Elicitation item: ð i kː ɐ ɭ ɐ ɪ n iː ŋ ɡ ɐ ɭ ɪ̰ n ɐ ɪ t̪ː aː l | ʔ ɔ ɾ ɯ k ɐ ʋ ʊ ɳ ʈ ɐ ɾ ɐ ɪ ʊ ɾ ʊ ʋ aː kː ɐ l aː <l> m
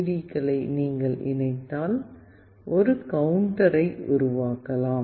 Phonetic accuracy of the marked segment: incorrect: none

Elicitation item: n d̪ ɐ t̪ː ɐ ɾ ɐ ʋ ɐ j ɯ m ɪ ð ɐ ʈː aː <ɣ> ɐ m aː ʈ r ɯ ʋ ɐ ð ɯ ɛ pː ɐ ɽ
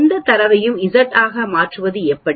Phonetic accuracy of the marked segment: correct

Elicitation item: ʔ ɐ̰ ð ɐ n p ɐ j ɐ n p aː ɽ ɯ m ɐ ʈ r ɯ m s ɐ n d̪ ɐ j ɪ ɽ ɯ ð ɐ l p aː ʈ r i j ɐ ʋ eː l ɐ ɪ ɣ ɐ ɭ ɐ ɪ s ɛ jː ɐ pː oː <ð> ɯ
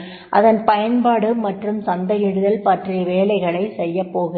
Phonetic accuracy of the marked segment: incorrect: ɣ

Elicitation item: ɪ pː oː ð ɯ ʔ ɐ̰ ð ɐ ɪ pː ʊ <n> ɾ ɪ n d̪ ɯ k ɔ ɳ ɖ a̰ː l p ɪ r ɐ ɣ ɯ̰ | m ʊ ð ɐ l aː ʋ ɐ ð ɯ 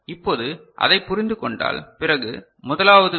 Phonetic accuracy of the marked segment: incorrect: none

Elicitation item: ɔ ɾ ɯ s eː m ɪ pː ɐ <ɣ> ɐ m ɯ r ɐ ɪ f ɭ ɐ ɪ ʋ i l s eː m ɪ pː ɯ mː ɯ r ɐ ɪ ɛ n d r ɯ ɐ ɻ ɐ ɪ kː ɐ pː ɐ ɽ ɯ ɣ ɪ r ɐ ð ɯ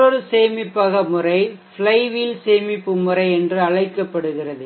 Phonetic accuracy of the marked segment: correct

